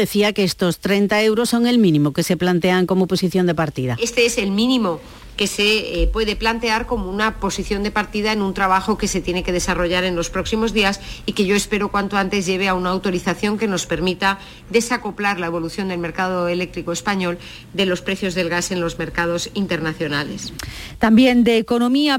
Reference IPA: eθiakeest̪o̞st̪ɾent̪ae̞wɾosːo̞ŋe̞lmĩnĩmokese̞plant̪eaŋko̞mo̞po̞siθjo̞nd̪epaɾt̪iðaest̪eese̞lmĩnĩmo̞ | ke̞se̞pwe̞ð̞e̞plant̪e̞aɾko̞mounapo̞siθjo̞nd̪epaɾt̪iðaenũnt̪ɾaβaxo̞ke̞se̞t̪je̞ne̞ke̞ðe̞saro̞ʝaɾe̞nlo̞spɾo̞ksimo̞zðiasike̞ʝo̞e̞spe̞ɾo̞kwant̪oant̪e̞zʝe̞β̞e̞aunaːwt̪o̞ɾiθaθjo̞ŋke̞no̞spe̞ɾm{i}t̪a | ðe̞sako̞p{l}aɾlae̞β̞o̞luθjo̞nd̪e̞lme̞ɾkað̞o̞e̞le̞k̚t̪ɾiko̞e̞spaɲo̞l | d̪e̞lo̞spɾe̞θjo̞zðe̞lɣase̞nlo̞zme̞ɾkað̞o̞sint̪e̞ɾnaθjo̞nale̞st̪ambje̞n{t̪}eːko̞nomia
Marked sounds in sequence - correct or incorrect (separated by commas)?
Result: correct, correct, incorrect